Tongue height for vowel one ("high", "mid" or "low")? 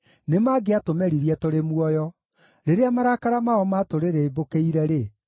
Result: mid